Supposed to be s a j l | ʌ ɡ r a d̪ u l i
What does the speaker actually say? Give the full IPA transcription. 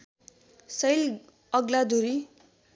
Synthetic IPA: s ʌ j l | ʌ ɡ l a d̪ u ɾ i